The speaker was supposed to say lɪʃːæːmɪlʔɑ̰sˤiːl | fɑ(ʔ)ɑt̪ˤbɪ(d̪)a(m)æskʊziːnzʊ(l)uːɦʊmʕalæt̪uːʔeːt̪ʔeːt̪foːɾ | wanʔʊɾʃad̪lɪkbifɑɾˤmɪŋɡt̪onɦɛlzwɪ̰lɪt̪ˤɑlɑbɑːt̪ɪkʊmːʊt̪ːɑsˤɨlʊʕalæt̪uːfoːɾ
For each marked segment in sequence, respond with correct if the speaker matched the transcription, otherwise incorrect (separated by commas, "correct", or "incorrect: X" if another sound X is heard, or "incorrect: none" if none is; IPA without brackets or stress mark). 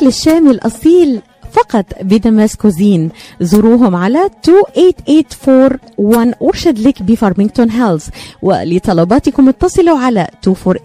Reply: incorrect: q, correct, correct, incorrect: ɾ